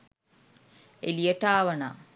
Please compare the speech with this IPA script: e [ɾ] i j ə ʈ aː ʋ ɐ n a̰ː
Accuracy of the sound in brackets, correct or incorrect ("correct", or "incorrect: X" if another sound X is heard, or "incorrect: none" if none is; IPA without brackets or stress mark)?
incorrect: l